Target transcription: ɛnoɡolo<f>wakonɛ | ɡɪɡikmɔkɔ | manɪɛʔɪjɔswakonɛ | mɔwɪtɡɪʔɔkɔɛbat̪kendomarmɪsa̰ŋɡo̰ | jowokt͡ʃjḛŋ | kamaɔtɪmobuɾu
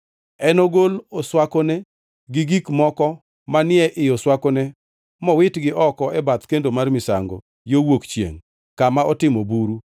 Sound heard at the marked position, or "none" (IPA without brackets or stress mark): s